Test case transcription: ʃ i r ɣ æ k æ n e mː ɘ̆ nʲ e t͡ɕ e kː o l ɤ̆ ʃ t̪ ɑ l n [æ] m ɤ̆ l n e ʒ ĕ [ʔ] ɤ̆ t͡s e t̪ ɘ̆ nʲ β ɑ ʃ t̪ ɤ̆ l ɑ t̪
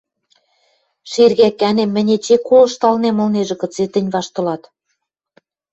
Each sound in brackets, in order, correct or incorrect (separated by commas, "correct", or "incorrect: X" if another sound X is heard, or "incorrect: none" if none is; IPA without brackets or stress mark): incorrect: e, incorrect: k